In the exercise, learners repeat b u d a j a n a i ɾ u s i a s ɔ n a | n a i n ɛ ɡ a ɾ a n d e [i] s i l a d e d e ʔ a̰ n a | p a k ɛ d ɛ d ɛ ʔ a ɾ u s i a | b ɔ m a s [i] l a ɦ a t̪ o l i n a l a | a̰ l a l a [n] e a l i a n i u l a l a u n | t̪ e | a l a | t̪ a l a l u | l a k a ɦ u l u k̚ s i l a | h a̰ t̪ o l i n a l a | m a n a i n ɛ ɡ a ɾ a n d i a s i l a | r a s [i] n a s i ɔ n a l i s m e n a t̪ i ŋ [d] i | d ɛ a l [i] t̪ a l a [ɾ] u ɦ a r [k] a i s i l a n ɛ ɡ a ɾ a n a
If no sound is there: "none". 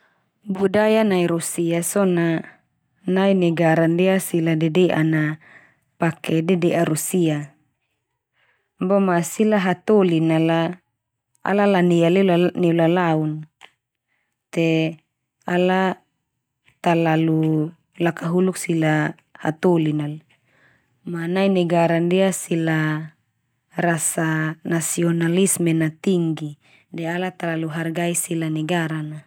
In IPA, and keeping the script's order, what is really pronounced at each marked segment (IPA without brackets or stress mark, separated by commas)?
a, i, n, a, ɡ, a, l, ɡ